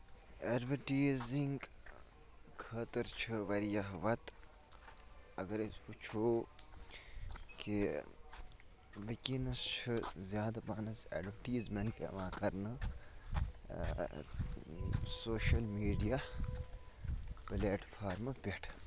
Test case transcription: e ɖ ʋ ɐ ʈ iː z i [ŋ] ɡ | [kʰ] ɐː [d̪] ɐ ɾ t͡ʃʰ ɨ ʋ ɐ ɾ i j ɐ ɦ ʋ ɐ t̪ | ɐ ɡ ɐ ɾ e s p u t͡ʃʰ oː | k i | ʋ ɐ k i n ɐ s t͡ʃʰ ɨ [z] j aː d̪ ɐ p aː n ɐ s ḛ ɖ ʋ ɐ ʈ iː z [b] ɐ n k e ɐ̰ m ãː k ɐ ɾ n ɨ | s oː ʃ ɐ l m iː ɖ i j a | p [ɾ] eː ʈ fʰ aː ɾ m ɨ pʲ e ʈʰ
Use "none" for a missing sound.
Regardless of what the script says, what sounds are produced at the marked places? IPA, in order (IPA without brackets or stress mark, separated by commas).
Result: ŋ, kʰ, t̪, z, m, l